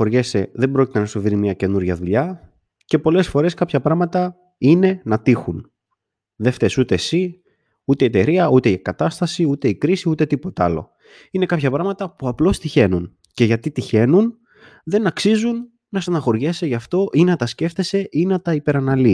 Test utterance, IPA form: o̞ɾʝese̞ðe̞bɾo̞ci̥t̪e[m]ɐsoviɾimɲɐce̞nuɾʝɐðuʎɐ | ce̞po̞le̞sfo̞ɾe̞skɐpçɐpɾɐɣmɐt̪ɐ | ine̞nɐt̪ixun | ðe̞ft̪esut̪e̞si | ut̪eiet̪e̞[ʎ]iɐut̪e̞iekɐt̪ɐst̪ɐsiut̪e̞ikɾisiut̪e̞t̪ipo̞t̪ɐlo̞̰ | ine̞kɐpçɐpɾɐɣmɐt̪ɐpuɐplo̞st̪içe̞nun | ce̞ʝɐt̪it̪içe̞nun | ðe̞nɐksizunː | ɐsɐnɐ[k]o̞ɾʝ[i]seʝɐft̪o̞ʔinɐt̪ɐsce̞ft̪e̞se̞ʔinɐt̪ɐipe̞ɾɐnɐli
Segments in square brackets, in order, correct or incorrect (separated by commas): incorrect, incorrect, incorrect, incorrect